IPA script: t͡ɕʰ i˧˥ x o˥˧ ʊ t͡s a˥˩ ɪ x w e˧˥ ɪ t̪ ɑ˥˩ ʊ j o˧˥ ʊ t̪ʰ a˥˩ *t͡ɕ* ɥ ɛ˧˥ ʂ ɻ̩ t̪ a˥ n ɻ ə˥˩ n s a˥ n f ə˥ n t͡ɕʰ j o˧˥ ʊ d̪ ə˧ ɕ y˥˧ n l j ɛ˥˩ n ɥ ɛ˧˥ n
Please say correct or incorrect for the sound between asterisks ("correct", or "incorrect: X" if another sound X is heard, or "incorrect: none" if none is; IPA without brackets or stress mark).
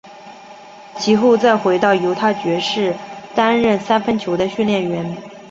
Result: correct